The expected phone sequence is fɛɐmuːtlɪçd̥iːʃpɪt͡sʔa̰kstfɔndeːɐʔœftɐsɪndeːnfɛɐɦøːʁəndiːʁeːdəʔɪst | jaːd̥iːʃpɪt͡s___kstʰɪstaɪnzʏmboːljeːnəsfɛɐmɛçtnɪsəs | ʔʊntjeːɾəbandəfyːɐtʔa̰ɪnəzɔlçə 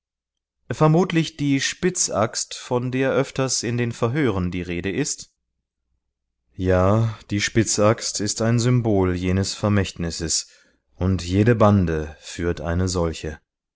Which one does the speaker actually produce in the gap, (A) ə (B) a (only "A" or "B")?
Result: B